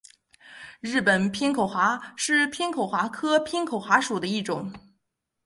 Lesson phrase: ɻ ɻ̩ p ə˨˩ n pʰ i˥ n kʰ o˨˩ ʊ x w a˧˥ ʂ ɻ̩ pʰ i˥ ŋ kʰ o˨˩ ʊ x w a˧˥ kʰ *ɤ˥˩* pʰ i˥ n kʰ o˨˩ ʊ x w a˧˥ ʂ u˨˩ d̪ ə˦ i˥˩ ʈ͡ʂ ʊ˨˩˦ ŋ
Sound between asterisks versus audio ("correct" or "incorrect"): incorrect